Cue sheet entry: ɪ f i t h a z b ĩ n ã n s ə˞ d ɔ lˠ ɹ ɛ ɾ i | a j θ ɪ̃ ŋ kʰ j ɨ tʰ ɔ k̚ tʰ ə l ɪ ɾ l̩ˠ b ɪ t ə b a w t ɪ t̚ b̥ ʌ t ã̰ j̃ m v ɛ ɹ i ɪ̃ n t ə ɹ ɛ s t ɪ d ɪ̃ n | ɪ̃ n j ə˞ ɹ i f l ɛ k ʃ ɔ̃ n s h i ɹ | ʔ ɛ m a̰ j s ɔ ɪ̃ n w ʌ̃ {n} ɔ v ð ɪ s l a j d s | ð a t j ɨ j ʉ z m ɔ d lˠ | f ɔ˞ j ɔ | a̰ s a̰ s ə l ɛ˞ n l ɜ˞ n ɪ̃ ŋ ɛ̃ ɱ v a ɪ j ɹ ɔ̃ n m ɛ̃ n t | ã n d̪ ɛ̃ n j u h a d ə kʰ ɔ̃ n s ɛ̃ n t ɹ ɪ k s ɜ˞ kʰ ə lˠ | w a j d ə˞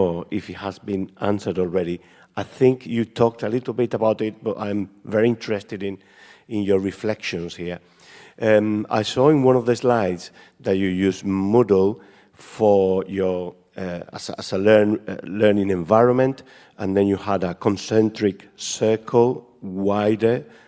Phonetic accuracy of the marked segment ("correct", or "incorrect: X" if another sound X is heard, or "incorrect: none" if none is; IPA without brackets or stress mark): correct